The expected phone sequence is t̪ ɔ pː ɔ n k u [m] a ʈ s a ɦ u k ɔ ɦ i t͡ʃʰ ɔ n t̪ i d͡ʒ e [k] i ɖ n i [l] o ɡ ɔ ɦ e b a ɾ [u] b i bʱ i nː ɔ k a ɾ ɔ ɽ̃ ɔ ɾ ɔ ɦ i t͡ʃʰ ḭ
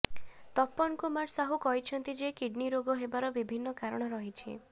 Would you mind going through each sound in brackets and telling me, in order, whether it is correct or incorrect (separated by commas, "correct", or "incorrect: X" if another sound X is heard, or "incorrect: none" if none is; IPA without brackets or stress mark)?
correct, correct, incorrect: ɾ, incorrect: ɔ